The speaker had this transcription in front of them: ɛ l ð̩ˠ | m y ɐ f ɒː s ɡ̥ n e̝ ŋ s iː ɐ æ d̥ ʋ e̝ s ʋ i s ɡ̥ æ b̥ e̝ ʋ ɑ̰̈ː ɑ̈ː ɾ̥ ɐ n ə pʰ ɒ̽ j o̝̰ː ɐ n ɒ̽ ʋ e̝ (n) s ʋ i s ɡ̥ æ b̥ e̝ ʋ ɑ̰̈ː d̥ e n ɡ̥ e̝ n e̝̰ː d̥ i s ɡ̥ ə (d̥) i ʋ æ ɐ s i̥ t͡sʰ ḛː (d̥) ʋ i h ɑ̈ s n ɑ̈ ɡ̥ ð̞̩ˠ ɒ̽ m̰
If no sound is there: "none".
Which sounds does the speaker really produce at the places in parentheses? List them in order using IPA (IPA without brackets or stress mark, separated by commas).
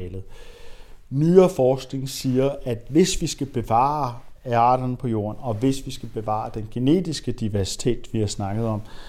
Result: none, d̥, d̥